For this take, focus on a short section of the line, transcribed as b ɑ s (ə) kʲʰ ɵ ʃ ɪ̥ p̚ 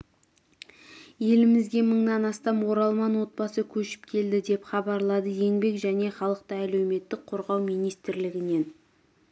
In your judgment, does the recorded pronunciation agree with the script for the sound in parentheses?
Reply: yes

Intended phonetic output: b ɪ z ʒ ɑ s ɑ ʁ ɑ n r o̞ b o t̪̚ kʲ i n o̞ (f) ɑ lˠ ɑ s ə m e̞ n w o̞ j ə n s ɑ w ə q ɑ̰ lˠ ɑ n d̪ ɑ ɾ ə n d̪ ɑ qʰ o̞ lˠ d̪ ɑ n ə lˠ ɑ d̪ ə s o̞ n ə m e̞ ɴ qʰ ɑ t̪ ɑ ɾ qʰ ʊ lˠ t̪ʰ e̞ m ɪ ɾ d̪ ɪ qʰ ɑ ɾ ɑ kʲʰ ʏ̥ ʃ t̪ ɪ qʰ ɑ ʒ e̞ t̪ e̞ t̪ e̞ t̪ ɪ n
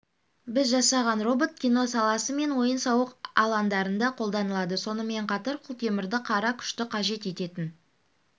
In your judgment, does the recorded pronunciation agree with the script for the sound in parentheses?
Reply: no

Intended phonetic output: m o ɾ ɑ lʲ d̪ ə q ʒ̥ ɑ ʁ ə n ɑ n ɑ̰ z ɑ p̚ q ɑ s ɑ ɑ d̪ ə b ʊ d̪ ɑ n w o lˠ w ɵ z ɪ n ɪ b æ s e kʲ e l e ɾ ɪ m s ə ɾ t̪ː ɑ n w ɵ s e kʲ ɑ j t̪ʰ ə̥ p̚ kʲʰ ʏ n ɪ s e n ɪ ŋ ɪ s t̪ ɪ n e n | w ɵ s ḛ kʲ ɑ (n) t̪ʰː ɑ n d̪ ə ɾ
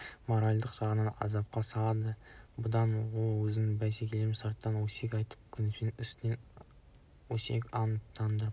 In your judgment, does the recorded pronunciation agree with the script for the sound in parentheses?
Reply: yes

